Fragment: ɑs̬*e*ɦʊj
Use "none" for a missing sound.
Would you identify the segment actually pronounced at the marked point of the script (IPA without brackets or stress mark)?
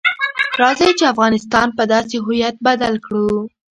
e